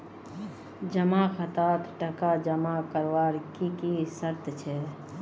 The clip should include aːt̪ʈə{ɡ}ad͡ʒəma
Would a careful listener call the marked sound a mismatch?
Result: yes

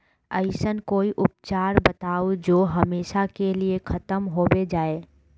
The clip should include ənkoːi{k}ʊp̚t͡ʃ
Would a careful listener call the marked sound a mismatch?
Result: yes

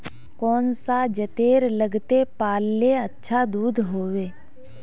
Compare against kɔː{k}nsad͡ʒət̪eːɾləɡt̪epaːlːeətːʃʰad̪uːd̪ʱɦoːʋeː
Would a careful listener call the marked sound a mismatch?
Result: yes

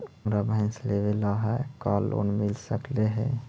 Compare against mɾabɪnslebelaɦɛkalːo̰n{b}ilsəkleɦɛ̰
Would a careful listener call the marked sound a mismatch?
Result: yes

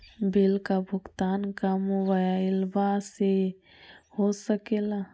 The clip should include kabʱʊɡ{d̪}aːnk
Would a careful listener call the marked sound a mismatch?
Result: yes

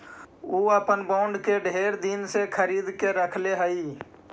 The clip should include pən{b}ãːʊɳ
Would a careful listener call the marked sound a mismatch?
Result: no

